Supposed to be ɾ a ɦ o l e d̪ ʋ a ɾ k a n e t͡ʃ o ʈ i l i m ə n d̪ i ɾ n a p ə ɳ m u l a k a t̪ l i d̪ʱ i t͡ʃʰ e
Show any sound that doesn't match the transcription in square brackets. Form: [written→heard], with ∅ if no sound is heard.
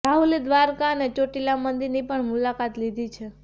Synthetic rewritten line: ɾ a ɦ [o→u] l e d̪ ʋ a ɾ k a n e t͡ʃ o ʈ i l [i→a] m ə n d̪ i ɾ n [a→i] p ə ɳ m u l a k a t̪ l i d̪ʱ i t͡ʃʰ e